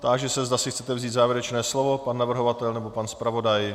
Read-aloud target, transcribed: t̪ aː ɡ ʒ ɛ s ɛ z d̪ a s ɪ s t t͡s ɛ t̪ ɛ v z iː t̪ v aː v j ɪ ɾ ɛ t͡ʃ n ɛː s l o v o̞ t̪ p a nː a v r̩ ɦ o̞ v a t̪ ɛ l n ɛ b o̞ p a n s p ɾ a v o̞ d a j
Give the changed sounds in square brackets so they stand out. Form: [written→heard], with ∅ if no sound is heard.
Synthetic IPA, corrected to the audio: t̪ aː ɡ ʒ ɛ s ɛ z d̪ a s ɪ [s→x] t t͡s ɛ t̪ ɛ v z iː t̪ [v→z] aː v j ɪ ɾ ɛ t͡ʃ n ɛː s l o v o̞ [t̪→∅] p a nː a v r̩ ɦ o̞ v a t̪ ɛ l n ɛ b o̞ p a n s p ɾ a v o̞ d a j